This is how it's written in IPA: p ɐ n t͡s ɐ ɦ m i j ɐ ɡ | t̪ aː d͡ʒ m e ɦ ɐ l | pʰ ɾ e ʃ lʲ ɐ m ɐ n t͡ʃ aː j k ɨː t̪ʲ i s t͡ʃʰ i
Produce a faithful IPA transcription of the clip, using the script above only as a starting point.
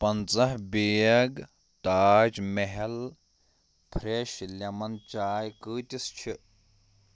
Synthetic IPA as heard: p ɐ n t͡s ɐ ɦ b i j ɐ ɡ | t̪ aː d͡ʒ m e ɦ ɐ l | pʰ ɾ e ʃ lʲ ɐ m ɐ n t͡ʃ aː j k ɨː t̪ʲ i s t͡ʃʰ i